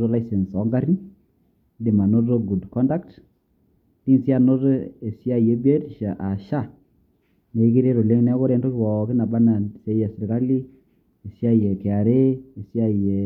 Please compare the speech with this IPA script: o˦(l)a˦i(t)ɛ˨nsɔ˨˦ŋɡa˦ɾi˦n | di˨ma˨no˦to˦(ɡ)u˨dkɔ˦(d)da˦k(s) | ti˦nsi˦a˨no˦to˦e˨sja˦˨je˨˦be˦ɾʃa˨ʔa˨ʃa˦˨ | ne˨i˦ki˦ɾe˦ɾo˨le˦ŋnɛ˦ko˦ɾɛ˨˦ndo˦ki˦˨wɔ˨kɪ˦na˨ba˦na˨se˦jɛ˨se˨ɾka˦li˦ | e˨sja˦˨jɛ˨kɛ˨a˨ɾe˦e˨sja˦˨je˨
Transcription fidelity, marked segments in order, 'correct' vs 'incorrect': correct, incorrect, correct, incorrect, incorrect

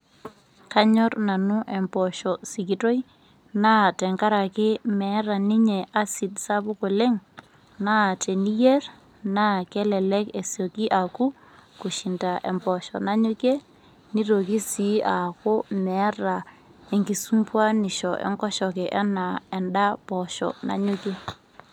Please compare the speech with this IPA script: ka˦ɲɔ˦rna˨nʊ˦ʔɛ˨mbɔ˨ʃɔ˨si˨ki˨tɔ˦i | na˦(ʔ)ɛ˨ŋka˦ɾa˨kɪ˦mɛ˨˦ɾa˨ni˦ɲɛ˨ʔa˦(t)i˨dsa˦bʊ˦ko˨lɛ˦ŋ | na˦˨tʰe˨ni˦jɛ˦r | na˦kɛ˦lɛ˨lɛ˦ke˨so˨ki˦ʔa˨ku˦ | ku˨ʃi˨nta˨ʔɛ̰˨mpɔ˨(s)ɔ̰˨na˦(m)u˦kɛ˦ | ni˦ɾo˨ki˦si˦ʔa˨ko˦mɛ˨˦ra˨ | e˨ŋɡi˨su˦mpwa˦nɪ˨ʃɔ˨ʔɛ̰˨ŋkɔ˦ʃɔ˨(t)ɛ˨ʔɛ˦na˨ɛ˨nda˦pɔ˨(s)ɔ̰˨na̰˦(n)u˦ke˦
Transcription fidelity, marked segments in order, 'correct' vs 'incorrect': incorrect, incorrect, incorrect, incorrect, incorrect, incorrect, incorrect

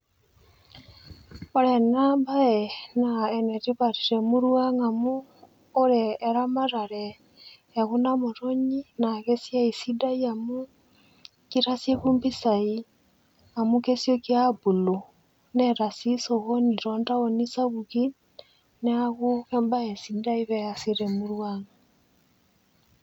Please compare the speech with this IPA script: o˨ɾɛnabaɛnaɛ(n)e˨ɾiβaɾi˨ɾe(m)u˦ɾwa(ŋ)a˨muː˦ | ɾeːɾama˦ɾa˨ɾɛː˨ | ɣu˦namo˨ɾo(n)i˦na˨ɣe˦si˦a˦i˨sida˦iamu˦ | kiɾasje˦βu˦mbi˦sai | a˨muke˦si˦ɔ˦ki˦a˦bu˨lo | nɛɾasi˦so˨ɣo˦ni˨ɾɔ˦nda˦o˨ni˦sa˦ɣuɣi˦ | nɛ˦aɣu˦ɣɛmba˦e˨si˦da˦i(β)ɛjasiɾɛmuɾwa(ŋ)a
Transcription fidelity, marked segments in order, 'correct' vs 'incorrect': correct, correct, correct, incorrect, correct, correct

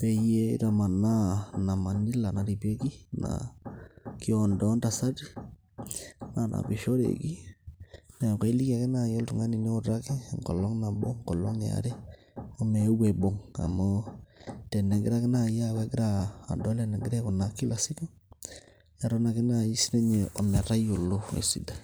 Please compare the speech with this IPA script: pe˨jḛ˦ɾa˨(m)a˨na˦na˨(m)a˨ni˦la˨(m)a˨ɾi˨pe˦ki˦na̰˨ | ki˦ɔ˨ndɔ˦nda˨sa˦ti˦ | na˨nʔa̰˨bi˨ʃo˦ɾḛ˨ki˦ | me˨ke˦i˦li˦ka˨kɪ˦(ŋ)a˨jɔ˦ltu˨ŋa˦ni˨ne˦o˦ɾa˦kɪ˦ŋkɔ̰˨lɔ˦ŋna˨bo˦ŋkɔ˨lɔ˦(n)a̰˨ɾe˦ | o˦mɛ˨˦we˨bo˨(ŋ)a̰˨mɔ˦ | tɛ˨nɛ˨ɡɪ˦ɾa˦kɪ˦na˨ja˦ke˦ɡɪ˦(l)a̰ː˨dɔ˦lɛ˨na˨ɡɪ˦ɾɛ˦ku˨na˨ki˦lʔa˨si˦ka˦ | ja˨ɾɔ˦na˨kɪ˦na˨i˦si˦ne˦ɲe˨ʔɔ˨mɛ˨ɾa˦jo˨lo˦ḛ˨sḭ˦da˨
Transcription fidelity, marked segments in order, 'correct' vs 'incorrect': correct, correct, incorrect, incorrect, incorrect, correct, incorrect

